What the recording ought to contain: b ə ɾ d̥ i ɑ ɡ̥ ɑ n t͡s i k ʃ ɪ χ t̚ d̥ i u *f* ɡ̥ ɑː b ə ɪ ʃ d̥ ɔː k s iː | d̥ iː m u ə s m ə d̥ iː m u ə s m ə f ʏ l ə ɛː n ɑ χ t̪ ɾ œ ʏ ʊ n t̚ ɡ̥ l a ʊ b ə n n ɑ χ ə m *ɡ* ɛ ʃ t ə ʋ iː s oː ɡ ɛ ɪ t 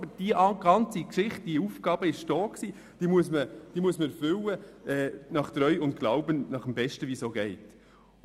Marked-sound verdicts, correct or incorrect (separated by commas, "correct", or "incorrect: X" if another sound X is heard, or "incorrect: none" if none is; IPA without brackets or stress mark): correct, incorrect: b